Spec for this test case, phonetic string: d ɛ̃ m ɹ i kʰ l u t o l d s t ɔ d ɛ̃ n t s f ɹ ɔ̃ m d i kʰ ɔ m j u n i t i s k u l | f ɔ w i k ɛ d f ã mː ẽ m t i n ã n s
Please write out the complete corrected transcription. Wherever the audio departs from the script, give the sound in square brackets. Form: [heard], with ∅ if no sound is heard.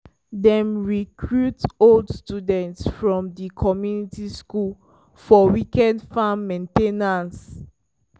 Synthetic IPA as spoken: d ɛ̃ m ɹ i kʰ [ɹ] u t o l d s t [u] d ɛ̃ n t s f ɹ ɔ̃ m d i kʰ ɔ m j u n i t i s k u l | f ɔ w i k ɛ d f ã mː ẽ [n] t [e] n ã n s